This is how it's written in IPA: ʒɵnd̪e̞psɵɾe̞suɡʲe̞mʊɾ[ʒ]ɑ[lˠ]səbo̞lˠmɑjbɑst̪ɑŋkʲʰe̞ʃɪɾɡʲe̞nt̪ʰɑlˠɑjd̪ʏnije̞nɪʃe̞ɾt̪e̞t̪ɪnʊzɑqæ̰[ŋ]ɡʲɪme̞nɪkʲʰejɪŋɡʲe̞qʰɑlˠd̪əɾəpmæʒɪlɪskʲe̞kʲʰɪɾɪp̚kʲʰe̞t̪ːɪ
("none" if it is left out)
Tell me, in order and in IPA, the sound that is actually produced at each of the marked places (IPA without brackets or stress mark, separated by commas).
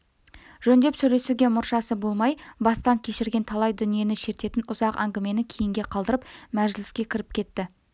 ʃ, none, ŋ